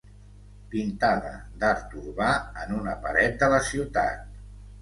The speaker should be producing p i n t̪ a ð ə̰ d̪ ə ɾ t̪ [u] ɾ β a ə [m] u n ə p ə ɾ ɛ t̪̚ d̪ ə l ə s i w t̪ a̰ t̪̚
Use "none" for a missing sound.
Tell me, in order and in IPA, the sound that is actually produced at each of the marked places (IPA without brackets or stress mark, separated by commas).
u, n